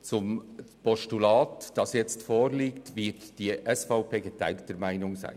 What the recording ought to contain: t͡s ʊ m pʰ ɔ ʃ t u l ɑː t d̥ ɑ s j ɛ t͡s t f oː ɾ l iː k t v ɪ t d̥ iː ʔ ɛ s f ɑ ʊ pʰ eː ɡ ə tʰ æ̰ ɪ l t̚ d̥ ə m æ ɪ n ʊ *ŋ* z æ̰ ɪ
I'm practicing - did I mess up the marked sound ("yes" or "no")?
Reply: no